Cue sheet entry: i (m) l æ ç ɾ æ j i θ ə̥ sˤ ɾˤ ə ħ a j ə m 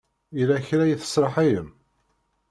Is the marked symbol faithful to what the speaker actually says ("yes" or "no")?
no